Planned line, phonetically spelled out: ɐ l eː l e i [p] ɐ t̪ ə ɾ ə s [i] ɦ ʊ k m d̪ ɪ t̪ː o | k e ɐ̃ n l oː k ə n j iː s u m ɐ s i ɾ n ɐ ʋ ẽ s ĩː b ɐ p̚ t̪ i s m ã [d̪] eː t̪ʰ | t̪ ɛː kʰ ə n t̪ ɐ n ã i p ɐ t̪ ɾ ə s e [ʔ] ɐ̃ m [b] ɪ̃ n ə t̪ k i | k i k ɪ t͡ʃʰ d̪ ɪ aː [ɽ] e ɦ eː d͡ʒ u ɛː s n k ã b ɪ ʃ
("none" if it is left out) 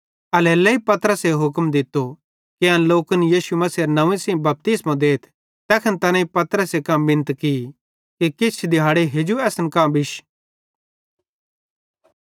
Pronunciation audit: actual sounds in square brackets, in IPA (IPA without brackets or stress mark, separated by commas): p, e, d̪, k, b, ɽ